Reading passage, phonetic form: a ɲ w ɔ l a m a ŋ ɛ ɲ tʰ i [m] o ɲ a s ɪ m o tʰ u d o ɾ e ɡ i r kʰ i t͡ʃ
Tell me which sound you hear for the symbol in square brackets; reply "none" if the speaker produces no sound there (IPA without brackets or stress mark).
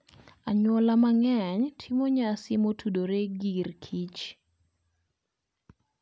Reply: m